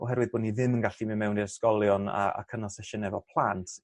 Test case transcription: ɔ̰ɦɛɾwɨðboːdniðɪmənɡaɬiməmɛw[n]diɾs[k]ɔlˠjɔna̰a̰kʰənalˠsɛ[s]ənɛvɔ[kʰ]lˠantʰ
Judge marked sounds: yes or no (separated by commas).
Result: yes, yes, no, no